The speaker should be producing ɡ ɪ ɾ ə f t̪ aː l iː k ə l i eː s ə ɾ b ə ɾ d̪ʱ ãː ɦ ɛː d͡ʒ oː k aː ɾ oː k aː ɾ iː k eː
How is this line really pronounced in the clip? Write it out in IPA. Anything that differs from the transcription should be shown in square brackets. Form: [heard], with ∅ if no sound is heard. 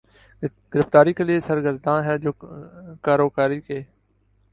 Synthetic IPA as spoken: ɡ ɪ ɾ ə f t̪ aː [ɾ] iː k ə l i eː s ə ɾ [ɡ] ə ɾ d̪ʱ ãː ɦ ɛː d͡ʒ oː k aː ɾ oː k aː ɾ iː k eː